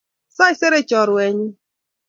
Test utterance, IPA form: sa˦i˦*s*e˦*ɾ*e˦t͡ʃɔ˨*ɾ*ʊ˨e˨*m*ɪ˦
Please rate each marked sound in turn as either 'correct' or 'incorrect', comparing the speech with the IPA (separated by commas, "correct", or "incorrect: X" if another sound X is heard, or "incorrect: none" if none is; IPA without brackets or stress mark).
correct, correct, correct, incorrect: ɲ